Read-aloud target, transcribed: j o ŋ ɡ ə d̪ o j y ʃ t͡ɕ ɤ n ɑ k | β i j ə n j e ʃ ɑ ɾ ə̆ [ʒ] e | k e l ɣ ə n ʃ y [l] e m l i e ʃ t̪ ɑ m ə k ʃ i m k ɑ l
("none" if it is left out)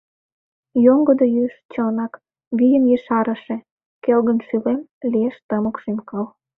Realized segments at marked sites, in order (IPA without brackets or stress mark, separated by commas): ʃ, l